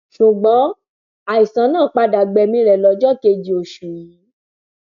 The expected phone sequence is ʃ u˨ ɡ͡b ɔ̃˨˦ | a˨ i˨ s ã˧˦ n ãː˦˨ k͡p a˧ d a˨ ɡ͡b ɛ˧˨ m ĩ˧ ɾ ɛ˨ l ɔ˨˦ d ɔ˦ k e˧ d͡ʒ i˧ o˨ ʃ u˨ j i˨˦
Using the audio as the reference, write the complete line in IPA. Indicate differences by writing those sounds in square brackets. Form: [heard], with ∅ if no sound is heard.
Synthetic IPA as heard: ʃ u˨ ɡ͡b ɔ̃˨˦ | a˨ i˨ s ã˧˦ n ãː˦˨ k͡p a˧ d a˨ ɡ͡b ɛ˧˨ m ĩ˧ ɾ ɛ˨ l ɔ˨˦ [d͡ʒ] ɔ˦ k e˧ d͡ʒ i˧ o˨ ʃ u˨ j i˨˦